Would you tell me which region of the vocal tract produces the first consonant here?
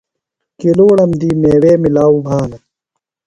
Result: velum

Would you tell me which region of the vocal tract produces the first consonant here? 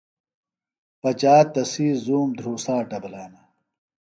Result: lips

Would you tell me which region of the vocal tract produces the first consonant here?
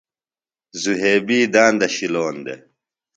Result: tongue tip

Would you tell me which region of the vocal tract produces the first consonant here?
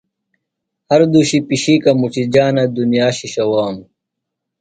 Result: throat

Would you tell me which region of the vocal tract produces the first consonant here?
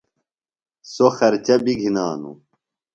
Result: tongue tip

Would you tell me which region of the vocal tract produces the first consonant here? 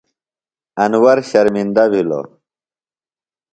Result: tongue tip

